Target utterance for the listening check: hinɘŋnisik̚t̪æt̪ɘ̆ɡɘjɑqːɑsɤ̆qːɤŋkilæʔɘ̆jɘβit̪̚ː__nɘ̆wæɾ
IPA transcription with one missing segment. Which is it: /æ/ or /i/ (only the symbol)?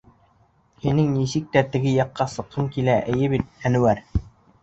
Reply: æ